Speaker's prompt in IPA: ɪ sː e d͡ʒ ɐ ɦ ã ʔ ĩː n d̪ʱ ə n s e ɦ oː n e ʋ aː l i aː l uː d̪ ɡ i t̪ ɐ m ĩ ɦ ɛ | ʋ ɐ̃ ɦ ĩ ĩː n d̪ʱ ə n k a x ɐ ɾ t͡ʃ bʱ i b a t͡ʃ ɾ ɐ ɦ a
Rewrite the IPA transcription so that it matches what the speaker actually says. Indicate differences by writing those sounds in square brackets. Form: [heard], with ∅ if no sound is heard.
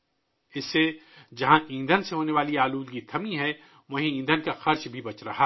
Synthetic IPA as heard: ɪ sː e d͡ʒ ɐ ɦ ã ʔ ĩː n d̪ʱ ə n s e ɦ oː n e ʋ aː l i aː l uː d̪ ɡ i [t̪ʰ] ɐ m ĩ ɦ ɛ | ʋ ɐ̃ ɦ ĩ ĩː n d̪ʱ ə n k a x ɐ ɾ t͡ʃ bʱ i b [ɐ] t͡ʃ ɾ ɐ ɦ a